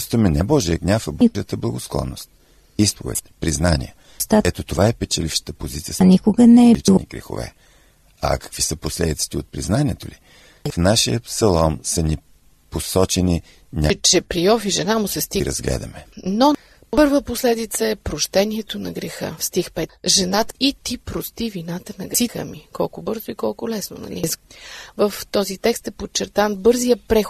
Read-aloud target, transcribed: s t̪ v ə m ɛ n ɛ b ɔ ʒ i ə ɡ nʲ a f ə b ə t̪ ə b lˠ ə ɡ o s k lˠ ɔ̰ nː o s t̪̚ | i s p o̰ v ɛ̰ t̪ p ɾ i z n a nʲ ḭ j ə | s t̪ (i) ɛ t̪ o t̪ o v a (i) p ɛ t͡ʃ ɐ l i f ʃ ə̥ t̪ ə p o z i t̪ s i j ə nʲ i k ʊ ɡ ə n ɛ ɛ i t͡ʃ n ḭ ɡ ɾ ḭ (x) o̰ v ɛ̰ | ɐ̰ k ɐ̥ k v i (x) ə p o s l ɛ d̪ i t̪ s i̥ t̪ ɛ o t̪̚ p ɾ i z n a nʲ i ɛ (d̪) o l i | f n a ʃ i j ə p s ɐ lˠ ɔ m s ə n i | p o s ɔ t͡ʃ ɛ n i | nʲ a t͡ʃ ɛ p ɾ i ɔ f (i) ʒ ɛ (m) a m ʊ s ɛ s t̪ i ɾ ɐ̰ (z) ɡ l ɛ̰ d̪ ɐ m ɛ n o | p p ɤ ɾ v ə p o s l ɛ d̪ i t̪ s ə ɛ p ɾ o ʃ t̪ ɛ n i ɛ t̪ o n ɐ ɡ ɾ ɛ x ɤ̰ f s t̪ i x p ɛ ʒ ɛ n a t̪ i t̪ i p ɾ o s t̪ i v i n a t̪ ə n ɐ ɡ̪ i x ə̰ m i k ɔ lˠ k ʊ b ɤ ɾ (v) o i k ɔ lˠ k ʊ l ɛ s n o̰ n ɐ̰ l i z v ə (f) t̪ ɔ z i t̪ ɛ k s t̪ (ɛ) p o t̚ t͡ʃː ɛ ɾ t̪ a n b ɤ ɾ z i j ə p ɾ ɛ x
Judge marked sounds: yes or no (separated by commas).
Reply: no, no, yes, no, no, yes, no, yes, no, yes, yes